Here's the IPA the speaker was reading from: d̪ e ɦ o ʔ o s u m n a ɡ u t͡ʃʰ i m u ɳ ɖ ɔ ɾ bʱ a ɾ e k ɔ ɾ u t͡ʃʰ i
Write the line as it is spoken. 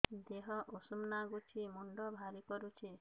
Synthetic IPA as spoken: d̪ e ɦ ɔ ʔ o s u m n a ɡ u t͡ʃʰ i m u ɳ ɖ ɔ bʱ a ɾ i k ɔ ɾ u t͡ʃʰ i